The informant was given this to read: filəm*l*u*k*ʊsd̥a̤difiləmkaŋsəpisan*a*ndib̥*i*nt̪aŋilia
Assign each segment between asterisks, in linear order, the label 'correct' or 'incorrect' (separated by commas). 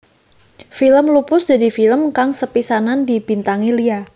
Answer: correct, incorrect, correct, correct